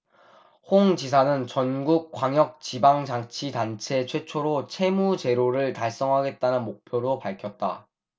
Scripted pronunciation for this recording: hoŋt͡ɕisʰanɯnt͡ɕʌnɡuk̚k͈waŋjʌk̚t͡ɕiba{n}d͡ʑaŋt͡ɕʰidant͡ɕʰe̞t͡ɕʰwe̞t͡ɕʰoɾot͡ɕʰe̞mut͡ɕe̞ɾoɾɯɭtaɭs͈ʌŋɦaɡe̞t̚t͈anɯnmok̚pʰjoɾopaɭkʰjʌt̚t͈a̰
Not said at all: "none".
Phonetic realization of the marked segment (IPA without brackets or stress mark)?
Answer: ŋ